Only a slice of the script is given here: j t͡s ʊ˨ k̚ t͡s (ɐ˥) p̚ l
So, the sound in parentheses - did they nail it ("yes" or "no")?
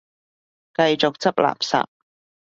yes